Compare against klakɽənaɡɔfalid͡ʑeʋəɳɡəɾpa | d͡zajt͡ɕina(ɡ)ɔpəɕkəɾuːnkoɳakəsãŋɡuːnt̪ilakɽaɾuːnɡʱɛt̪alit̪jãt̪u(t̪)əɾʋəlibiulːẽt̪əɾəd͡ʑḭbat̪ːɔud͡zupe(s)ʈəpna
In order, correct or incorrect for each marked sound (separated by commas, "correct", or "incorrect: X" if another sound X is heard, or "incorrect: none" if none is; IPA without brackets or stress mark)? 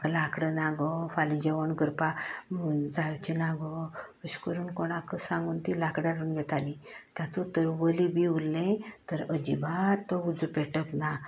correct, correct, incorrect: none